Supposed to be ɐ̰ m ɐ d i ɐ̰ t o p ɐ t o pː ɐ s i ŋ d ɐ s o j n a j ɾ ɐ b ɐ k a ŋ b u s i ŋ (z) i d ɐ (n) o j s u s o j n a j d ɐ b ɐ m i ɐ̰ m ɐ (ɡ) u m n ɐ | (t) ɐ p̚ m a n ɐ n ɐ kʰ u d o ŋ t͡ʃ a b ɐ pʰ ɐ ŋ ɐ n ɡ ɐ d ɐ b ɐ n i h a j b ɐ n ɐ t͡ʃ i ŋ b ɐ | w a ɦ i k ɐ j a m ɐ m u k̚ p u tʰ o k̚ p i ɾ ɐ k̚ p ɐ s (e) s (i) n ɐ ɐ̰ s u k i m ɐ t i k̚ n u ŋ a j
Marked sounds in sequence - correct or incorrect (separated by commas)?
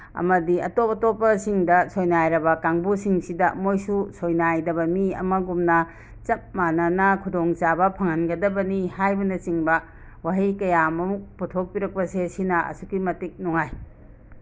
incorrect, incorrect, correct, incorrect, correct, correct